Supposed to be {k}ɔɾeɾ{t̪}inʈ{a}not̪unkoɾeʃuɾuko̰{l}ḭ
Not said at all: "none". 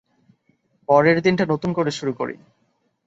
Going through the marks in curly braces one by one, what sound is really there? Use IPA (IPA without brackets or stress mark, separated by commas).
p, d̪, a, ɾ